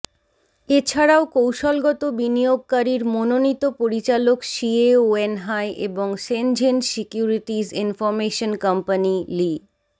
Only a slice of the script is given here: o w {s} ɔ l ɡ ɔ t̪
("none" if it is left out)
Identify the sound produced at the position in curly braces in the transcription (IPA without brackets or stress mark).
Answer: ʃ